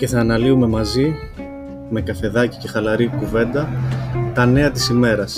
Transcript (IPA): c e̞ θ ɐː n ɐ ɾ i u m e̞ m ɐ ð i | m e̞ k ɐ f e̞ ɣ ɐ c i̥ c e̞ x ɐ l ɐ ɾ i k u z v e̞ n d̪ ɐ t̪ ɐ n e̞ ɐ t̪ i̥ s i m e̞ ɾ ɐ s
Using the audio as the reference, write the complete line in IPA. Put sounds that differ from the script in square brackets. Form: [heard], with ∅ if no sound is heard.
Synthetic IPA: c e̞ θ ɐː n ɐ [l] i u m e̞ m ɐ [z] i | m e̞ k ɐ f e̞ [ð] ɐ c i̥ c e̞ x ɐ l ɐ ɾ i k u [∅] v e̞ n d̪ ɐ t̪ ɐ n e̞ ɐ t̪ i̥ s i m e̞ ɾ ɐ s